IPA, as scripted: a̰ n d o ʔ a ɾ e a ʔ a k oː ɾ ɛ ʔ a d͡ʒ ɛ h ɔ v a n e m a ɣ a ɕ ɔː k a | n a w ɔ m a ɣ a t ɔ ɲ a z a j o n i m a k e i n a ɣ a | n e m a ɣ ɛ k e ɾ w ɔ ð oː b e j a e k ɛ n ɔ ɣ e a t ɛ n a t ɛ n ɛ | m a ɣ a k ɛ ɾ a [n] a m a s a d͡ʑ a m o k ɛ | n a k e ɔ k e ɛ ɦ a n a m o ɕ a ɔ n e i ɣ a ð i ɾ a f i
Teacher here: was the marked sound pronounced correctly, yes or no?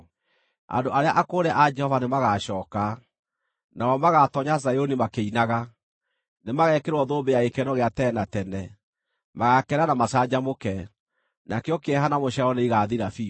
yes